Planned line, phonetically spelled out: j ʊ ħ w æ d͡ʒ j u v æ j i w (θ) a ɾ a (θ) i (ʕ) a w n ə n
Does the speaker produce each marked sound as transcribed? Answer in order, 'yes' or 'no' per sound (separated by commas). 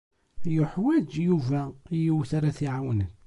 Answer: yes, yes, yes